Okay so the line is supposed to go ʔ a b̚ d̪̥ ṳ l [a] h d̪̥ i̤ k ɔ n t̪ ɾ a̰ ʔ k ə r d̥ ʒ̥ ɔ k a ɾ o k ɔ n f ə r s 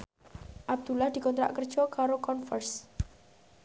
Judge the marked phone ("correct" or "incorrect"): correct